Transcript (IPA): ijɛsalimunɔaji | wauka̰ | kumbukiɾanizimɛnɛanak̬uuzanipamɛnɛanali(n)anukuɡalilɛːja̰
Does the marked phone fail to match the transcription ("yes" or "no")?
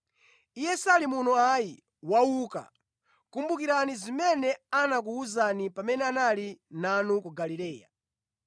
no